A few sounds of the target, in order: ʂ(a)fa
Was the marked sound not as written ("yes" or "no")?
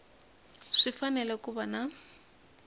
yes